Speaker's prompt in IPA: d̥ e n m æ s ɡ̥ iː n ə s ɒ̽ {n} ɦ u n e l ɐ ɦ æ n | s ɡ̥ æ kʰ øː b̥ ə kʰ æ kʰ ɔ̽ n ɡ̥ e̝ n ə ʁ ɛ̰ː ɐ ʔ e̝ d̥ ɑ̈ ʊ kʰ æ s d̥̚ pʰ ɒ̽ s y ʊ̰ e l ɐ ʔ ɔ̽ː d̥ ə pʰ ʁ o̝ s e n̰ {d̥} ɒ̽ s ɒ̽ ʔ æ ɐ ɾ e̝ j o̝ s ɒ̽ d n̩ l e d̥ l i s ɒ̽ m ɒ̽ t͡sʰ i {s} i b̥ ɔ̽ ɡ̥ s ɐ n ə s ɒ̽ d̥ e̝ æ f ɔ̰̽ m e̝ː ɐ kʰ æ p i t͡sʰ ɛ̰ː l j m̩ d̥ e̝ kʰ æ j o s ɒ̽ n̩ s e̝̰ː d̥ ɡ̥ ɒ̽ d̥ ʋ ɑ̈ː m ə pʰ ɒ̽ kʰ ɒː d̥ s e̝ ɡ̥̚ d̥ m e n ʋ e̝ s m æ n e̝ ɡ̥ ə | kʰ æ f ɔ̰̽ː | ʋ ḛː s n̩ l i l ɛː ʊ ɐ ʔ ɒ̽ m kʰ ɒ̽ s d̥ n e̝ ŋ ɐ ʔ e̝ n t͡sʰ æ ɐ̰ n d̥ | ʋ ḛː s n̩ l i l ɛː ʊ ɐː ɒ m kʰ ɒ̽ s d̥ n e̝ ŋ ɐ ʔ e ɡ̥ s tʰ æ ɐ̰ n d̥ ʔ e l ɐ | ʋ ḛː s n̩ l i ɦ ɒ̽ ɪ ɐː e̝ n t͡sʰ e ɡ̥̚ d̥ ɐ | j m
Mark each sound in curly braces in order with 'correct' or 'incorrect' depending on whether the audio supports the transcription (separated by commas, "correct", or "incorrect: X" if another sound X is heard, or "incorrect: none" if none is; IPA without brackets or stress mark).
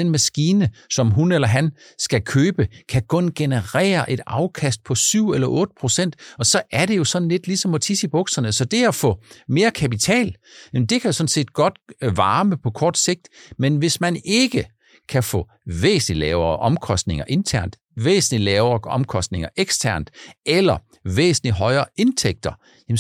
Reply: incorrect: m, correct, correct